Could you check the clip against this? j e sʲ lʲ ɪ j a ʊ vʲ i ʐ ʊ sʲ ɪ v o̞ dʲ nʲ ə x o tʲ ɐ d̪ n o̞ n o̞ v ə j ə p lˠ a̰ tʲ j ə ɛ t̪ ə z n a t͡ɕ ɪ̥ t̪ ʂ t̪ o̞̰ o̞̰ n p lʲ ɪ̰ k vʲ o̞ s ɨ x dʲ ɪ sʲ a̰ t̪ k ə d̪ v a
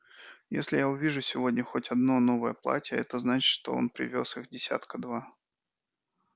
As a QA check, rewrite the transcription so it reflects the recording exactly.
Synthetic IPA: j e sʲ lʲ ɪ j a ʊ vʲ i ʐ ʊ sʲ ɪ v o̞ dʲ nʲ ə x o tʲ ɐ d̪ n o̞ n o̞ v ə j ə p lˠ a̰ tʲ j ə ɛ t̪ ə z n a t͡ɕ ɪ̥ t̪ ʂ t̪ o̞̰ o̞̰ n p ɾʲ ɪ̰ vʲ o̞ s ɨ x dʲ ɪ sʲ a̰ t̪ k ə d̪ v a